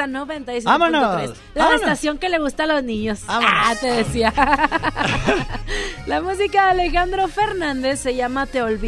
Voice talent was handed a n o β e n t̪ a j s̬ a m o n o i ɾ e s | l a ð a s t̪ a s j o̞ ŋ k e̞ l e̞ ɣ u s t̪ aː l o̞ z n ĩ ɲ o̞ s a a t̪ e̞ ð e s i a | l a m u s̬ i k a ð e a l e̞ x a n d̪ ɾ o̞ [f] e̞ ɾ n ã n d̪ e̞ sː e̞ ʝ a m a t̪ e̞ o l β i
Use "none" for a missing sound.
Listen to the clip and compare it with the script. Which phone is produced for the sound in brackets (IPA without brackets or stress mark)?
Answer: f